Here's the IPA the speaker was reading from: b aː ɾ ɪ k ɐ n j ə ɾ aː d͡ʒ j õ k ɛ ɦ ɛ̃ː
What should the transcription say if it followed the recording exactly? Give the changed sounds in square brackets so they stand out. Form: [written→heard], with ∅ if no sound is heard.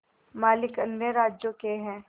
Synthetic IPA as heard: [b→m] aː [ɾ→l] ɪ k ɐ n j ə ɾ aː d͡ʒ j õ k [ɛ→e] ɦ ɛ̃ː